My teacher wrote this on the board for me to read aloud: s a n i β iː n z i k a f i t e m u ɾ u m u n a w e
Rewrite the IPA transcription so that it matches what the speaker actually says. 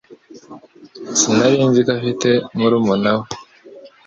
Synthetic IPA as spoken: s i n a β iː n z i k a f i t e m u ɾ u m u n a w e

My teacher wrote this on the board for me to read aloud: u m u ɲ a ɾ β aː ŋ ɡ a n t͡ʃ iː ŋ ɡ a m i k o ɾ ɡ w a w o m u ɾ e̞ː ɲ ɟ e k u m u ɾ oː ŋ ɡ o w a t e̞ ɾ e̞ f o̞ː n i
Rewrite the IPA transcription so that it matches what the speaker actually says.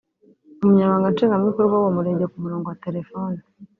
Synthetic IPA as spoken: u m u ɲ a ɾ β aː ŋ ɡ a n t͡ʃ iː ŋ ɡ a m i k o ɾ ɡ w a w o m u ɾ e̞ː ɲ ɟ e k u m u ɾ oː ŋ ɡ o w a t e̞ ɾ e̞ f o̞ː n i

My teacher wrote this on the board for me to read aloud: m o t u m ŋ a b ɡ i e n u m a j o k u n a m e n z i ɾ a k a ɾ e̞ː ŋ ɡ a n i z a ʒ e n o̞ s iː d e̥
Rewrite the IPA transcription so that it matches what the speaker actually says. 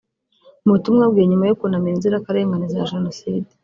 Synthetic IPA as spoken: m u t u m ŋ a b ɡ i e ɲ u m a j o k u n a m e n z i ɾ a k a ɾ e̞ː ŋ ɡ a n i z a ʒ e n o̞ s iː d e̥

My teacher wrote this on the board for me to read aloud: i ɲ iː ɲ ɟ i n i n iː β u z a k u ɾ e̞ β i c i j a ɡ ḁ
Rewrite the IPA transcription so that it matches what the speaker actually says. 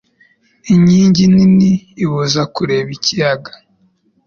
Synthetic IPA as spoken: i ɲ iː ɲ ɟ i n i n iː β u z a k u ɾ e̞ β i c i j a ɡ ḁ

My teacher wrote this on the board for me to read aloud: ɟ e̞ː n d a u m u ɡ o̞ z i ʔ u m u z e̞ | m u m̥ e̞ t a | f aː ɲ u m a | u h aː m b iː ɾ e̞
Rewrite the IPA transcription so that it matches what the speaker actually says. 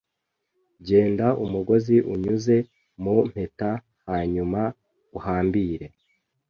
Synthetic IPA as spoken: ɟ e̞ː n d a u m u ɡ o̞ z i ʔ u ɲ u z e̞ | m u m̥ e̞ t a | h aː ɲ u m a | u h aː m b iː ɾ e̞

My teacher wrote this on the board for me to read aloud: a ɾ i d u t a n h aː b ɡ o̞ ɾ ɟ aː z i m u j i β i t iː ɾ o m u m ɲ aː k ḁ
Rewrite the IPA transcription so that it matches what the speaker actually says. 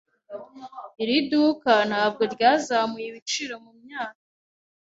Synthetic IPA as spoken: i ɾ i d u k a n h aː b ɡ o̞ ɾ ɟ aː z a m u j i β i t͡ʃ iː ɾ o m u m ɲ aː k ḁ

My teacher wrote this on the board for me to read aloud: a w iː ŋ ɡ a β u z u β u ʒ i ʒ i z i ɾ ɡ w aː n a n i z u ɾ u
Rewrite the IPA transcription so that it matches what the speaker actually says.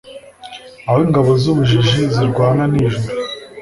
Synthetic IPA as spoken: a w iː ŋ ɡ a β o z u β u ʒ i ʒ i z i ɾ ɡ w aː n a n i ʒ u ɾ u

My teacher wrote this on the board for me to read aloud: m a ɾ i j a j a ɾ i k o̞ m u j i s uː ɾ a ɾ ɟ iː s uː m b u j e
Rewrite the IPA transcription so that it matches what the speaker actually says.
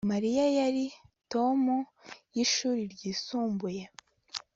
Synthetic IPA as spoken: m a ɾ i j a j a ɾ i t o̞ m u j i ʃ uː ɾ i ɾ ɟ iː s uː m b u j e

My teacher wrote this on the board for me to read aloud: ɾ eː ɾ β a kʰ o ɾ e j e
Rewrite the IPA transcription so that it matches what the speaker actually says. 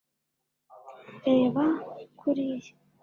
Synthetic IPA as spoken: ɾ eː β a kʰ u ɾ i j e

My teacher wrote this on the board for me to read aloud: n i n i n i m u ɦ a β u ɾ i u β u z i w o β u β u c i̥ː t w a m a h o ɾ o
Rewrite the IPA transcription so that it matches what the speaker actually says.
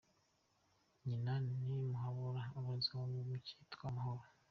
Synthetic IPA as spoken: ɲ i n a n i m u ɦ a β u ɾ a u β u z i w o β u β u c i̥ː t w a m a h o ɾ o

